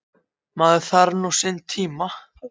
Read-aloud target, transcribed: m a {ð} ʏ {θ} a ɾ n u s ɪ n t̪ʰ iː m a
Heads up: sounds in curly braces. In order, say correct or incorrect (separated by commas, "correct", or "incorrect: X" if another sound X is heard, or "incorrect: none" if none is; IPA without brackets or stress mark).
correct, correct